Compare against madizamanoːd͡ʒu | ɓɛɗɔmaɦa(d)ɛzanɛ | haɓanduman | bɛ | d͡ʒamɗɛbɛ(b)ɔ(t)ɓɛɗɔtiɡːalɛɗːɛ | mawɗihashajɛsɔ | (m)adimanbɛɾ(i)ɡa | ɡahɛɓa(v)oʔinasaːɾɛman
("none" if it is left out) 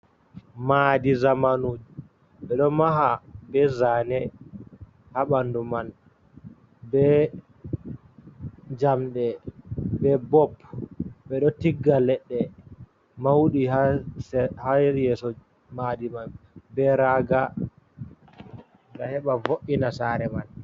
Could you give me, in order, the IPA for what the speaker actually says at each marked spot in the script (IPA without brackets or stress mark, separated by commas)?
b, b, p, m, a, v